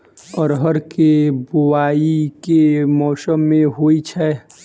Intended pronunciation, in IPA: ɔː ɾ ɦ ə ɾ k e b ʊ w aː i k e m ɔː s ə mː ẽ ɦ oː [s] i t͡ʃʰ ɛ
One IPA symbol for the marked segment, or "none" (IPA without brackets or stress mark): none